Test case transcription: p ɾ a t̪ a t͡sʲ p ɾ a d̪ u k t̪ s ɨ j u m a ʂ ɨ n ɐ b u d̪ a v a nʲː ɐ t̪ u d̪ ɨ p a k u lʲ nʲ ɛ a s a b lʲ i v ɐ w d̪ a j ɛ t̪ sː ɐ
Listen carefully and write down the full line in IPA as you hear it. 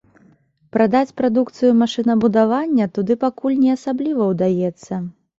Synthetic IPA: p ɾ a d̪ a t͡sʲ p ɾ a d̪ u k t̪ s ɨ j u m a ʂ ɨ n ɐ b u d̪ a v a nʲː ɐ t̪ u d̪ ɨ p a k u lʲ nʲ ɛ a s a b lʲ i v ɐ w d̪ a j ɛ t̪ sː ɐ